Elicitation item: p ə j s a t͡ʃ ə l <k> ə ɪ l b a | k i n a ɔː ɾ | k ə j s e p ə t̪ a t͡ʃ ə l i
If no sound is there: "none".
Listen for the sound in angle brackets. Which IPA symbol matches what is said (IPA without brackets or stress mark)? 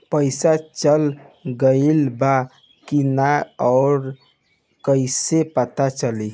ɡ